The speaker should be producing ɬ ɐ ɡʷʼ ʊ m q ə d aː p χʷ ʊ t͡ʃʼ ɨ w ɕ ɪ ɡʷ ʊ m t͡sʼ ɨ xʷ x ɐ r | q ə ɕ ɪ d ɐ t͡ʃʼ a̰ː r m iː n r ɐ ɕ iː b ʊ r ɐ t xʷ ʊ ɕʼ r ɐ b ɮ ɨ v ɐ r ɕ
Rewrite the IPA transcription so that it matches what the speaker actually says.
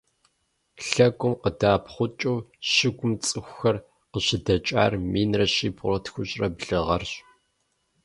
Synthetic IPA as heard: ɬ ɐ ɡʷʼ ʊ m q ə d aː p χʷ ʊ t͡ʃʼ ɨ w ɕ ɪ ɡʷ ʊ m t͡sʼ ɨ xʷ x ɐ r | q ə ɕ ɪ d ɐ t͡ʃʼ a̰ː r m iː n r ɐ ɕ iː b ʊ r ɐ t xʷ ʊ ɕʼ r ɐ b ɮ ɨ ʁ ɐ r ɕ